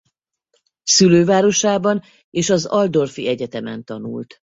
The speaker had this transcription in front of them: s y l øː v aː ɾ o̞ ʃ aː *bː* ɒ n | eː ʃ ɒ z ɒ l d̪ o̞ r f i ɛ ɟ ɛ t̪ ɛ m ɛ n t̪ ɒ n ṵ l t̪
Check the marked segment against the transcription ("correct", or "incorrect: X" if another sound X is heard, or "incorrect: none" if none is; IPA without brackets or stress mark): incorrect: b